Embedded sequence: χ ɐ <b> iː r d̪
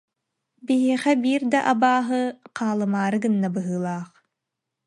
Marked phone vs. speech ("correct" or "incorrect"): correct